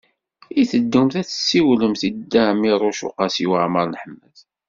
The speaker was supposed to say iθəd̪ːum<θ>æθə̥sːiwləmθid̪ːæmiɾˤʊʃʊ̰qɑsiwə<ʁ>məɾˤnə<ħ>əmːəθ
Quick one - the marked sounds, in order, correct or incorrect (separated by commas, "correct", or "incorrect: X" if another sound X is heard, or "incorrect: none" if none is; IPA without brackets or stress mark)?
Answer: correct, incorrect: ʕ, correct